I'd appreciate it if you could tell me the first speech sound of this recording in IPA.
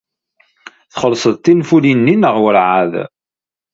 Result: θ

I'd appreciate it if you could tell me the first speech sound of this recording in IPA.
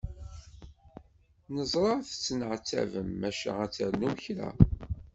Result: n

